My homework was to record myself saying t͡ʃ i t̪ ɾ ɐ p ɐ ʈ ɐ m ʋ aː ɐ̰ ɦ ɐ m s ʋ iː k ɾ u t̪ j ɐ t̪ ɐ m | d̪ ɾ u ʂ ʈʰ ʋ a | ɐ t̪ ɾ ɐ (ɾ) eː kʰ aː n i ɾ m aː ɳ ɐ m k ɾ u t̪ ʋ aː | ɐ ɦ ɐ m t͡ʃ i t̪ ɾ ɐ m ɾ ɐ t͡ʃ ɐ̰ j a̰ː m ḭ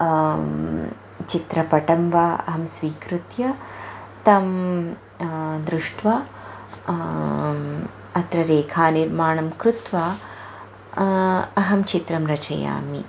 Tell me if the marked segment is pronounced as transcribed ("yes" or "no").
yes